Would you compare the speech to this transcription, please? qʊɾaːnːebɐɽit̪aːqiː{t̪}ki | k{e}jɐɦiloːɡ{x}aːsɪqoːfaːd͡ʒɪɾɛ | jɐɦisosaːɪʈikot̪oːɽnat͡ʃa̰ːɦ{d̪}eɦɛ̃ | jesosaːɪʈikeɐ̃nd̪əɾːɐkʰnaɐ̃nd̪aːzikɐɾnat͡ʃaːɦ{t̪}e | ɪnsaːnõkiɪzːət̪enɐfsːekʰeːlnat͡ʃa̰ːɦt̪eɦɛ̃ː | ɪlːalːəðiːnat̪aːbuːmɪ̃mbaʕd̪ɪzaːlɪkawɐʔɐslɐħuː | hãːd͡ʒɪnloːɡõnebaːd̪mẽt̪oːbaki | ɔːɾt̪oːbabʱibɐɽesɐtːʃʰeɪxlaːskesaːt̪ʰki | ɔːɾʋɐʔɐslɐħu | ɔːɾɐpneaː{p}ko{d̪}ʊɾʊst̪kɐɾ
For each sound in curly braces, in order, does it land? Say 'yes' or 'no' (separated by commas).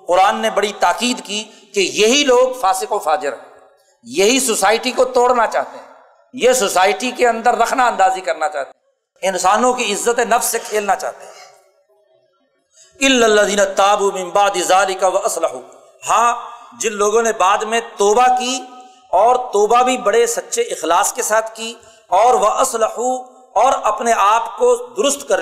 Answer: no, yes, no, no, yes, yes, yes